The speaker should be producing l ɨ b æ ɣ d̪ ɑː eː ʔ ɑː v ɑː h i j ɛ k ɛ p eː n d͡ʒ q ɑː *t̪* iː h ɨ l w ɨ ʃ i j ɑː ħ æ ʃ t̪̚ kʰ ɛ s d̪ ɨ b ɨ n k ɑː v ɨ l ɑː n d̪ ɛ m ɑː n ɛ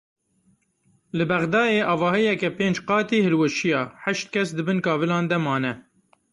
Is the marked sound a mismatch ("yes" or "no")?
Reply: no